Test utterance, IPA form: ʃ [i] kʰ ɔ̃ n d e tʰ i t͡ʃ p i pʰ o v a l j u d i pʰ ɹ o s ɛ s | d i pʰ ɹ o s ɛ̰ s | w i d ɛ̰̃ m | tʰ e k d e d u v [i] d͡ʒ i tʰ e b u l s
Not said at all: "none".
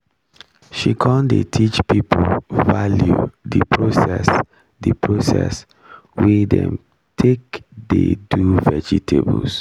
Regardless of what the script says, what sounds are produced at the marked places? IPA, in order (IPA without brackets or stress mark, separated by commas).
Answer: i, ɛ